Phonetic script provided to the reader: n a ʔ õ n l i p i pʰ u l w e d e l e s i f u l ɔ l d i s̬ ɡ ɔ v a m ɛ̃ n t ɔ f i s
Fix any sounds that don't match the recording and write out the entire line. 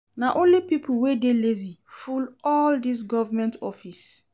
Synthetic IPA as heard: n a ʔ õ n l i p i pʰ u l w e d e l e z i f u l ɔ l d i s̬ ɡ ɔ v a m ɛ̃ n t ɔ f i s